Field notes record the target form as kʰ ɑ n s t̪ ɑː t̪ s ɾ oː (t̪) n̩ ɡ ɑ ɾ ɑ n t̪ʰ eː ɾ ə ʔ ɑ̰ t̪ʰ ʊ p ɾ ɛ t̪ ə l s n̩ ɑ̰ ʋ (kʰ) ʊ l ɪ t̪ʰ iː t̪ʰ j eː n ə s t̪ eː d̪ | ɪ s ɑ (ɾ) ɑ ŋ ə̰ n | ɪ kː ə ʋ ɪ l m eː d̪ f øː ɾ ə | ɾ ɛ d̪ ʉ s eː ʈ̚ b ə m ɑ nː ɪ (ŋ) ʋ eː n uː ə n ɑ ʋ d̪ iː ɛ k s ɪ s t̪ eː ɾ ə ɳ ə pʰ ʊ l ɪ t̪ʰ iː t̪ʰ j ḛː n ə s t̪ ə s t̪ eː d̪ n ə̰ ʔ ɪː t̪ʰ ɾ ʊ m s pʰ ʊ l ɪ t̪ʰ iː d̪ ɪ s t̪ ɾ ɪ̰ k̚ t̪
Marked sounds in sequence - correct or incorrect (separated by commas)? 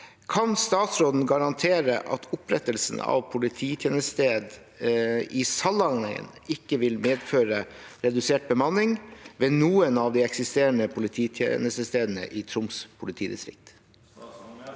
incorrect, incorrect, incorrect, correct